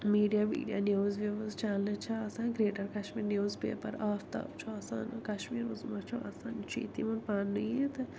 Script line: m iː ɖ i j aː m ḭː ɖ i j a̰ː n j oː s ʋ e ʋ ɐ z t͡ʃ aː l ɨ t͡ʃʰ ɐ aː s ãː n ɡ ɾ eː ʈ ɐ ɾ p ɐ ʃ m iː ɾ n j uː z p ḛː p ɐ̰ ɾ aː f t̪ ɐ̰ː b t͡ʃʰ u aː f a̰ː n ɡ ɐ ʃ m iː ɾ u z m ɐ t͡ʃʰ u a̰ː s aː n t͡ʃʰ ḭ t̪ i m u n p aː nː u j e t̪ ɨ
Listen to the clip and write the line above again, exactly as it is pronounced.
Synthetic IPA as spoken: m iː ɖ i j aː m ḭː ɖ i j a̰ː n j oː z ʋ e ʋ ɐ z t͡ʃ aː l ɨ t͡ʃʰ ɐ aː s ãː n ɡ ɾ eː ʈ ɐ ɾ k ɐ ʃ m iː ɾ n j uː z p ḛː p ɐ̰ ɾ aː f t̪ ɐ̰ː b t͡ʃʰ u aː s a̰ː n k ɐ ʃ m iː ɾ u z m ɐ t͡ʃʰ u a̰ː s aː n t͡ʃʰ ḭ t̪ i m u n p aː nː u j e t̪ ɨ